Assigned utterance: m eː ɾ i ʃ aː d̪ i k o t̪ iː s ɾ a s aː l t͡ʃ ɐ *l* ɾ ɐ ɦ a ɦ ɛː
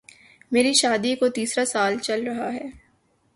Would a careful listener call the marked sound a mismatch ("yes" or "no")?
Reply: no